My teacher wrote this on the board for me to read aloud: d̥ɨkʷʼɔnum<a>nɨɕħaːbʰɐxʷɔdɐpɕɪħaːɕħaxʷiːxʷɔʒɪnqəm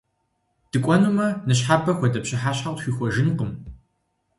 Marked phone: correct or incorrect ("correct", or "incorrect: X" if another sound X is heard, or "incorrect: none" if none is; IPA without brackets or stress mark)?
incorrect: ɐ